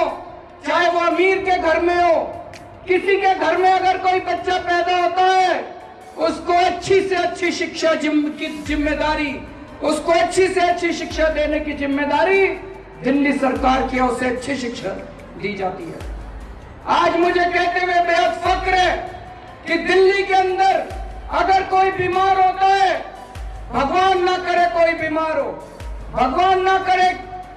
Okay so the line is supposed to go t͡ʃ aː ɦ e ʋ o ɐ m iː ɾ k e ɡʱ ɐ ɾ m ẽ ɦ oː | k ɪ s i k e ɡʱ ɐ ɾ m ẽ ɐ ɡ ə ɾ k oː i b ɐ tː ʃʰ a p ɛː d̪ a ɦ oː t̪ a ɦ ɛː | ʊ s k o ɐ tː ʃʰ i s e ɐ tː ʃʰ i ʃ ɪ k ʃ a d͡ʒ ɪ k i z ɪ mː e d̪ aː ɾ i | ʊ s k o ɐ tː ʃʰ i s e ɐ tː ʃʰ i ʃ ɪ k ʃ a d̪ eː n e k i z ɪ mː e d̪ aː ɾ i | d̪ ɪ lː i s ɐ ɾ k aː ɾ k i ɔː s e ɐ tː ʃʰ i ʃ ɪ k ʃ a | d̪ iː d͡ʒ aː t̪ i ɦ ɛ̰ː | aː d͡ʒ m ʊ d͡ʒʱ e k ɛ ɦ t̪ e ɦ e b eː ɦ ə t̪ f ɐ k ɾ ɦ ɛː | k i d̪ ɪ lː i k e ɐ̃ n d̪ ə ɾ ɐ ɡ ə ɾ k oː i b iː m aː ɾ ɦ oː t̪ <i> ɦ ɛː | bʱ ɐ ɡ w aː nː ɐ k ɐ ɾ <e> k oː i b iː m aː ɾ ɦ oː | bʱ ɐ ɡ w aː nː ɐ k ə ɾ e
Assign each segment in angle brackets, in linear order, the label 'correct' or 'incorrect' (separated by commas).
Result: incorrect, correct